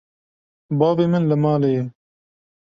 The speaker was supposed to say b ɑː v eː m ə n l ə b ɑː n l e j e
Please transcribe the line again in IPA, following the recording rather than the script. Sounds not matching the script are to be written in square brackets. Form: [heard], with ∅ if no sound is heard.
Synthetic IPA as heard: b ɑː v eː m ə n l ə [m] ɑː [∅] l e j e